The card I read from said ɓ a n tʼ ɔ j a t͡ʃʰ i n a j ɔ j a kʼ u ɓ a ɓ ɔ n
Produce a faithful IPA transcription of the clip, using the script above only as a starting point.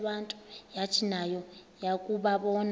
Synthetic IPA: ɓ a n tʼ u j a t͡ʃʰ i n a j ɔ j a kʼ u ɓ a ɓ ɔ n